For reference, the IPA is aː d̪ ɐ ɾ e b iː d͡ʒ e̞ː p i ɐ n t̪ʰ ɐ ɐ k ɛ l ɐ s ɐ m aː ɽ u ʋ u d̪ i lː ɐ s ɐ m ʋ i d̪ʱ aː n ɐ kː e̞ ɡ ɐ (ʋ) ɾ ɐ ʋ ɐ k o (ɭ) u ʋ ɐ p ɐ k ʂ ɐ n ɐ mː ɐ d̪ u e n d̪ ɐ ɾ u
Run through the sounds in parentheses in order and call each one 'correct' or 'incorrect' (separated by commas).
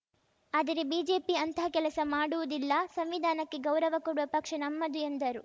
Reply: incorrect, incorrect